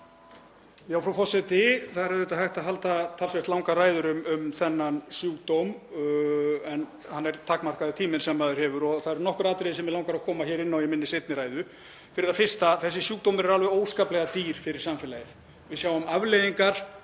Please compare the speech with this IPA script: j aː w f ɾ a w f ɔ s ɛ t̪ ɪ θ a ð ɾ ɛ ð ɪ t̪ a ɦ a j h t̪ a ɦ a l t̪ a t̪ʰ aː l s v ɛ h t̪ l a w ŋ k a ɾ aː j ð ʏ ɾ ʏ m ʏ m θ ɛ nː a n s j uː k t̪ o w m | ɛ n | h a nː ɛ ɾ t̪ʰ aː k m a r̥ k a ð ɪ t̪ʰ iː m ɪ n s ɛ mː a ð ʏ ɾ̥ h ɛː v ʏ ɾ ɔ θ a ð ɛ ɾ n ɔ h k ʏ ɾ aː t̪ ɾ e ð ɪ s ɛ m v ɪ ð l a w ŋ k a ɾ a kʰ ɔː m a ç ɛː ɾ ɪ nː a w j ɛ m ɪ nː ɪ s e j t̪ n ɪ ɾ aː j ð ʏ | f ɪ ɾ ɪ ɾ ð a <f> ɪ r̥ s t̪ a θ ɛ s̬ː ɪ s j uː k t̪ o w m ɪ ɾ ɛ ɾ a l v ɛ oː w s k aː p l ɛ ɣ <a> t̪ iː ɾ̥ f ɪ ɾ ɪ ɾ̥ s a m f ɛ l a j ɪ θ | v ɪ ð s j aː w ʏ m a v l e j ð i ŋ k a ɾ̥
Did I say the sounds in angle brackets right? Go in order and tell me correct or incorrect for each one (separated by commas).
correct, correct